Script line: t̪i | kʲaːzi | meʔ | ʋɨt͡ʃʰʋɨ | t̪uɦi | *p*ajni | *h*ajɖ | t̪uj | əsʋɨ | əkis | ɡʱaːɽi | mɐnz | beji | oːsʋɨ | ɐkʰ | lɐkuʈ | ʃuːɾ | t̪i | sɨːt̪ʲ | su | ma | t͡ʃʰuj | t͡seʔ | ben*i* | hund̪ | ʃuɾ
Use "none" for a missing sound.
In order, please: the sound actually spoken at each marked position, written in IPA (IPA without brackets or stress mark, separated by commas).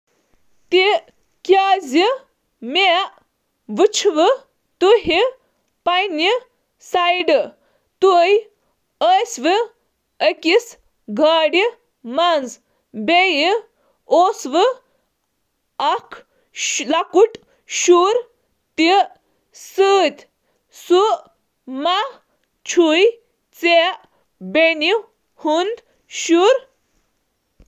p, s, i